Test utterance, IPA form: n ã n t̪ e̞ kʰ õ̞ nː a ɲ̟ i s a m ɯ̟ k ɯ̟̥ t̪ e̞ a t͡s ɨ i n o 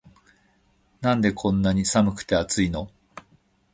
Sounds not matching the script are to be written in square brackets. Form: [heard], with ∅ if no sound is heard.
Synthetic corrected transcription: n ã n [d̪] e̞ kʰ õ̞ nː a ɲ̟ i s a m ɯ̟ k ɯ̟̥ t̪ e̞ a t͡s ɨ i n o